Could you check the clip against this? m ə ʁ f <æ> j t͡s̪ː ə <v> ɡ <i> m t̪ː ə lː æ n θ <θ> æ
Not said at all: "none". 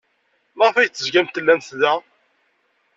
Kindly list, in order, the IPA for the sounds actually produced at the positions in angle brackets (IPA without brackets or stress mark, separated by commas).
æ, z, æ, ð